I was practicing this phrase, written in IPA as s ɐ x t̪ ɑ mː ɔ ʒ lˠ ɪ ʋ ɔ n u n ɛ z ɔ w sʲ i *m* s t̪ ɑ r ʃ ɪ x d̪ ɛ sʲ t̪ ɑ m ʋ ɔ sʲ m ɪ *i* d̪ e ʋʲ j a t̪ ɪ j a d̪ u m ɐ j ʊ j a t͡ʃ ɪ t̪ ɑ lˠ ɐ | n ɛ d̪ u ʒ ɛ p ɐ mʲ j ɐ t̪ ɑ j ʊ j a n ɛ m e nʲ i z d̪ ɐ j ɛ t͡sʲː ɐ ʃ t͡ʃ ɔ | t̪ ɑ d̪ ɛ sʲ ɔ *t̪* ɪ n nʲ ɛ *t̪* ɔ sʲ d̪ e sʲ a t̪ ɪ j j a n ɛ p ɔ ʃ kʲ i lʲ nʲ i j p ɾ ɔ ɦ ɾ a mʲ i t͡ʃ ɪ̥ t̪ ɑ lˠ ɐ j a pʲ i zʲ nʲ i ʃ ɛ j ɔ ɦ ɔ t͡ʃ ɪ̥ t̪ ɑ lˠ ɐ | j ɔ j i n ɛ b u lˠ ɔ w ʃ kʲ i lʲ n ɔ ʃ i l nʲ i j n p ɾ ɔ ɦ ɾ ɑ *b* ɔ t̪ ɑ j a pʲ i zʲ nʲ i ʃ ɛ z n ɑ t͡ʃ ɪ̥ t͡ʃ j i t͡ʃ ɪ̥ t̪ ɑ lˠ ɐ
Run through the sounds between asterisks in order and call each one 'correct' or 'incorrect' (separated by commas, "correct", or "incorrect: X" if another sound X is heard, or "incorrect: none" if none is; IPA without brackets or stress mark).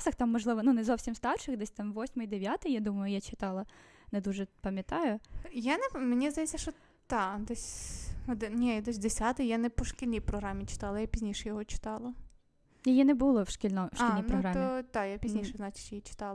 correct, incorrect: j, incorrect: d̪, incorrect: d̪, incorrect: m